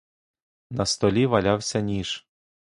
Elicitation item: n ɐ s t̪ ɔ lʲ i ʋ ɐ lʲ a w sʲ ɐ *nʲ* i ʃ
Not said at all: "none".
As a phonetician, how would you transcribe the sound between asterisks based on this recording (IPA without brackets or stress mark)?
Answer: nʲ